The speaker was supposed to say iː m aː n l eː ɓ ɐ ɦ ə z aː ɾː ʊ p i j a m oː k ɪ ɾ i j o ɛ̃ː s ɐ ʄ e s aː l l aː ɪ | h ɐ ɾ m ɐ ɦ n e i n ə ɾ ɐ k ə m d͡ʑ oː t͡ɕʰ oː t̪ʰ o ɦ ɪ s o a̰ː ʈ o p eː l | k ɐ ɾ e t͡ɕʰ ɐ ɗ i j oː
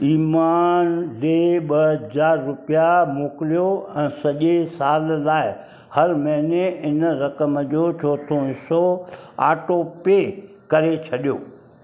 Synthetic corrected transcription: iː m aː n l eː ɓ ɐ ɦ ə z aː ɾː ʊ p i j a m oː k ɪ l i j o ɛ̃ː s ɐ ʄ e s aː l l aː ɪ | h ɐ ɾ m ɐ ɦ n e ɪ n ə ɾ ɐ k ə m d͡ʑ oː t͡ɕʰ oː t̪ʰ o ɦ ɪ s o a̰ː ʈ o p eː | k ɐ ɾ e t͡ɕʰ ɐ ɗ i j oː